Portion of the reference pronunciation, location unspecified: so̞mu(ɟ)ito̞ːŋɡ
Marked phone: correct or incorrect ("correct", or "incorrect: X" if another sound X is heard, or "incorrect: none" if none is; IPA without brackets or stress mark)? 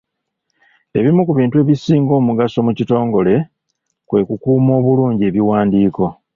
incorrect: c